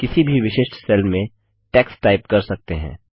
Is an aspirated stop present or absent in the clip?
absent